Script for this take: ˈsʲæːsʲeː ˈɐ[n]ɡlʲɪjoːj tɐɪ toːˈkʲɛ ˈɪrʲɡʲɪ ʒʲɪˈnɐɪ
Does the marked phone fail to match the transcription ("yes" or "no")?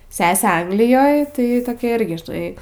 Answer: yes